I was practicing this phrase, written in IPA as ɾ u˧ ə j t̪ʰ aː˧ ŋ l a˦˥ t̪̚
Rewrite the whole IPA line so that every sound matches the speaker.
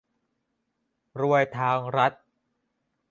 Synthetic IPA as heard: ɾ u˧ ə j t̪ʰ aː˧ ŋ ɾ a˦˥ t̪̚